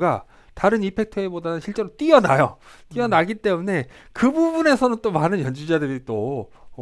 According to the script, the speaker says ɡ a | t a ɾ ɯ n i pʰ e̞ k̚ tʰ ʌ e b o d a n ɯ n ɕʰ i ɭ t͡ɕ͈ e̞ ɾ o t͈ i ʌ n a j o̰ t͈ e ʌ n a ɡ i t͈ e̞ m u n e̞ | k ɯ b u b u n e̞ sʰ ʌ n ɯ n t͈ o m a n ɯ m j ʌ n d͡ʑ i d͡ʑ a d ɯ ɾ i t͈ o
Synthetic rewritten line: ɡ a | t a ɾ ɯ n i pʰ e̞ k̚ tʰ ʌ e b o d a n ɯ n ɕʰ i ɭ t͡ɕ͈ e̞ ɾ o t͈ i ʌ n a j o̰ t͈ i ʌ n a ɡ i t͈ e̞ m u n e̞ | k ɯ b u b u n e̞ sʰ ʌ n ɯ n t͈ o m a n ɯ n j ʌ n d͡ʑ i d͡ʑ a d ɯ ɾ i t͈ o